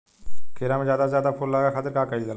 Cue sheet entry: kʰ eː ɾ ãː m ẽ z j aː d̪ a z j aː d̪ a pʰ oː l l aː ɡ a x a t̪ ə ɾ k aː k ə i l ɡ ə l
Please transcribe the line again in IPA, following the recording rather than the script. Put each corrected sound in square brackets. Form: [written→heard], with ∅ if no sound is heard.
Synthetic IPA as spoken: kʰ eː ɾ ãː m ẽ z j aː d̪ a z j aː d̪ a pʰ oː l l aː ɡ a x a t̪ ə ɾ k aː k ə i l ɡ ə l